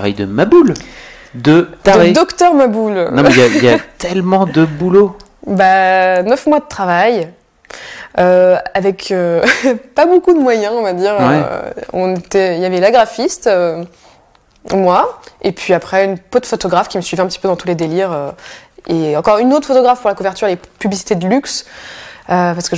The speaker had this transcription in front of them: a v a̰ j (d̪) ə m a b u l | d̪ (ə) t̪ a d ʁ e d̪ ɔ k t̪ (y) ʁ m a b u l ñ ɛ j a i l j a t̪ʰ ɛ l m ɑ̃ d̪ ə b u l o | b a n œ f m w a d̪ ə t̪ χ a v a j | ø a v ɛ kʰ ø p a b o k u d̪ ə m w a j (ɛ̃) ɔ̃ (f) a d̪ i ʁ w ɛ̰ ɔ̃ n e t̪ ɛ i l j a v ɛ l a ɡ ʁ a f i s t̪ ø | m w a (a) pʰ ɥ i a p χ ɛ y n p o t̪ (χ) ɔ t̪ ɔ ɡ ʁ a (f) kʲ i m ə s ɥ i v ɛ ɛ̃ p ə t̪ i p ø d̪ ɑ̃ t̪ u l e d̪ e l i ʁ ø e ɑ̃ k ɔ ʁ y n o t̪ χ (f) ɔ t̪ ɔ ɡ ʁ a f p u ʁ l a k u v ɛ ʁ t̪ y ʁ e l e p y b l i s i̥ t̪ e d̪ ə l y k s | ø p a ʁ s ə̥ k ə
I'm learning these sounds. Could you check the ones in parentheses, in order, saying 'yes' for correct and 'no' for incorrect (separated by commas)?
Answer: yes, yes, no, yes, no, no, no, yes, yes